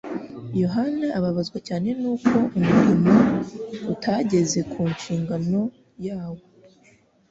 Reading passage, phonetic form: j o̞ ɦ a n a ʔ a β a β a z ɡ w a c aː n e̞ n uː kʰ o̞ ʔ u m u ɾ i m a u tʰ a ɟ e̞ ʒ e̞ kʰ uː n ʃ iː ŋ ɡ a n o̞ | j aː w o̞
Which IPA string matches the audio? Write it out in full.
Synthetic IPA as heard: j o̞ ɦ a n a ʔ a β a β a z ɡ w a c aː n e̞ n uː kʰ o̞ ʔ u m u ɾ i m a u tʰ a ɟ e̞ z e̞ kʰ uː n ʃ iː ŋ ɡ a n o̞ | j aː w o̞